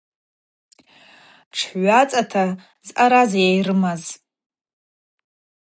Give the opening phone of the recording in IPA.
ʈ͡ʂʰ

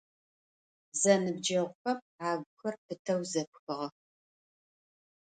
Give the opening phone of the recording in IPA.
z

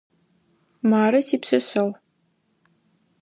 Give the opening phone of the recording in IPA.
m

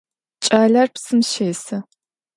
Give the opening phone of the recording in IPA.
t͡ʃʼ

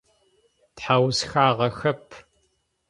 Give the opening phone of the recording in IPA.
t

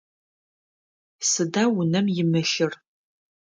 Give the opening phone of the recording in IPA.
s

